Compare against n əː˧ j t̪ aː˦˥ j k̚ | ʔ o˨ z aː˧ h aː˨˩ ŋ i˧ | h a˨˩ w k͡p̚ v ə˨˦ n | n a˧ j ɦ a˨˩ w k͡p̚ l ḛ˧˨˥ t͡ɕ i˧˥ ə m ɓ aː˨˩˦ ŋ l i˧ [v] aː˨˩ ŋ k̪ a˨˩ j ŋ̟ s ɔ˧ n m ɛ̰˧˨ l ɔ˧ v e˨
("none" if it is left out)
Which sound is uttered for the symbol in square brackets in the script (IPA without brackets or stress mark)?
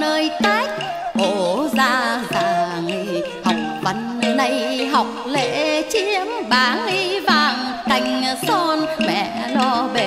v